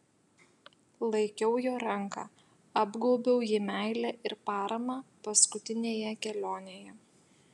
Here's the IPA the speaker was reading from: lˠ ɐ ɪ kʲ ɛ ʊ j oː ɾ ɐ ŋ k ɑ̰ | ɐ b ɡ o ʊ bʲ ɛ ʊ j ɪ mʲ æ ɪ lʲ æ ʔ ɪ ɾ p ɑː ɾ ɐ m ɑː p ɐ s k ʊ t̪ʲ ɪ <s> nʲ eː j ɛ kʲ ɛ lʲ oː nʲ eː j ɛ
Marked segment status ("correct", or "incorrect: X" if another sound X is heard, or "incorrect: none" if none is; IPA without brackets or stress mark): incorrect: none